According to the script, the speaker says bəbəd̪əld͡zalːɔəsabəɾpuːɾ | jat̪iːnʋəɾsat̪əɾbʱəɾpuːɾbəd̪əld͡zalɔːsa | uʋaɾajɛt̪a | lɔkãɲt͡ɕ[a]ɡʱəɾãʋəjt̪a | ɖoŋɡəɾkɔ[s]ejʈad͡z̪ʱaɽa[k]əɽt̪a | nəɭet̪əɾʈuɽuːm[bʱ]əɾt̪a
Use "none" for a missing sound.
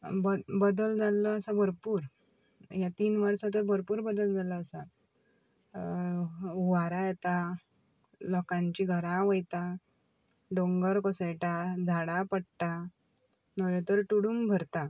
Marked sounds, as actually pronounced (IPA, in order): i, s, p, bʱ

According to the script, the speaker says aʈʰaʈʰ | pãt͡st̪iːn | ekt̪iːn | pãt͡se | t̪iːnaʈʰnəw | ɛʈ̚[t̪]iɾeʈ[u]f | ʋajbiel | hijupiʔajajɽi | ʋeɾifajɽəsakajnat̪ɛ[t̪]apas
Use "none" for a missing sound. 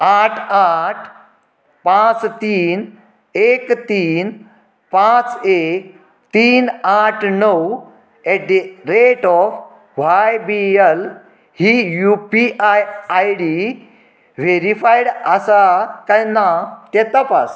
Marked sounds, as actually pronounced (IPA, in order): d̪, ɔ, t̪

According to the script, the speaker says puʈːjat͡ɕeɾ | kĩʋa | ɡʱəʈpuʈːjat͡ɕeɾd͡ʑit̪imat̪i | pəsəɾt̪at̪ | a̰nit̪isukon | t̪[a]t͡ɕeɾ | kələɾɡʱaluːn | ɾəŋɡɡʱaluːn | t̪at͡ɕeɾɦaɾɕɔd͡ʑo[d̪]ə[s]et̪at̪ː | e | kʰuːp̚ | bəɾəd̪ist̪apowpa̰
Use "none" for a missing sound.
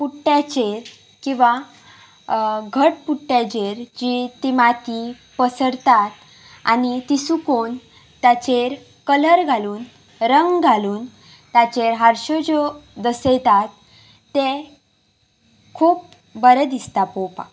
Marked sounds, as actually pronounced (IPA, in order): a, d̪, s

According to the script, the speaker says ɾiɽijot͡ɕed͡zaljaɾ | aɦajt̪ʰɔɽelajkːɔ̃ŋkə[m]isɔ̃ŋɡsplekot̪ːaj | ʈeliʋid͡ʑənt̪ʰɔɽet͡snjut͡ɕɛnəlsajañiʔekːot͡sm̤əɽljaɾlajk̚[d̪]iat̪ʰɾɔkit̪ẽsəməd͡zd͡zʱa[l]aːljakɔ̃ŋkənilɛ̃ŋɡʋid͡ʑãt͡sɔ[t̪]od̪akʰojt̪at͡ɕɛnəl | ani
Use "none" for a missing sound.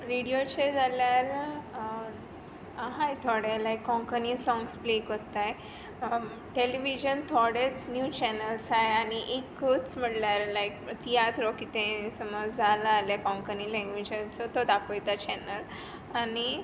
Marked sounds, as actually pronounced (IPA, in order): n, t̪, l, t̪

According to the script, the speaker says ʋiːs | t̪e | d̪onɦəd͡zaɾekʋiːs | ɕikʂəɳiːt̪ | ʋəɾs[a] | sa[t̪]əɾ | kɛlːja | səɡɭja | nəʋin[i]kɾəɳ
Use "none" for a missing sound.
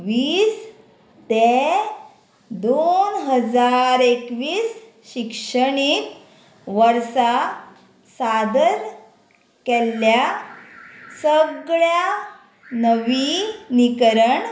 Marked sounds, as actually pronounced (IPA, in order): a, d̪, i

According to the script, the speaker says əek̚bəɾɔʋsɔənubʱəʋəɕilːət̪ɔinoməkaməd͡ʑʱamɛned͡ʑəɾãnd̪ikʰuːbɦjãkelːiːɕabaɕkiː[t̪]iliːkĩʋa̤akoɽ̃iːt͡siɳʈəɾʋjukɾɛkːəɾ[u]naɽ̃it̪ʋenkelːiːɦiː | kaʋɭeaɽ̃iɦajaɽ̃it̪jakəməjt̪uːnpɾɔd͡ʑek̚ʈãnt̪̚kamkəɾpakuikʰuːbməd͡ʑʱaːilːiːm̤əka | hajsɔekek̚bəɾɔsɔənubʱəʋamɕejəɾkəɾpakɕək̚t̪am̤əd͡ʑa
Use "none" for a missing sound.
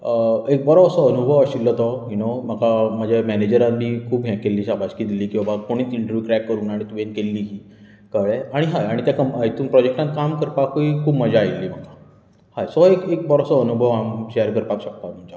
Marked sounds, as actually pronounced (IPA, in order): d̪, uː

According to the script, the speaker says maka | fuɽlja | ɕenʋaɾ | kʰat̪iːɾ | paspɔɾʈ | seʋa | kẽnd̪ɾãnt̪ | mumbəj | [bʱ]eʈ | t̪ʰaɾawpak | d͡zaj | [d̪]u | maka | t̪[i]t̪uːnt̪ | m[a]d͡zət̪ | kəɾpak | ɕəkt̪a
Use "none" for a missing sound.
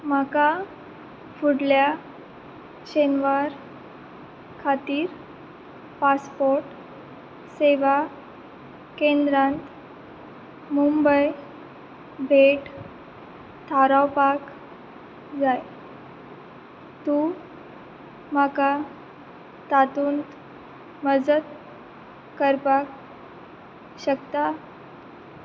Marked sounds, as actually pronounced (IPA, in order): bʱ, t̪, a, ə

